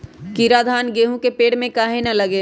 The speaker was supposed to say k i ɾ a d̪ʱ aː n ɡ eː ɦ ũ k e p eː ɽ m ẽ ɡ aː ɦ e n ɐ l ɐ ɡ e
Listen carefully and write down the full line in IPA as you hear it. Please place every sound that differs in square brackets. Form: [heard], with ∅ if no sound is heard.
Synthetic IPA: k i ɾ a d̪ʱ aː n ɡ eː ɦ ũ k e p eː ɽ m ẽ [k] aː ɦ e n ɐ l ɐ ɡ e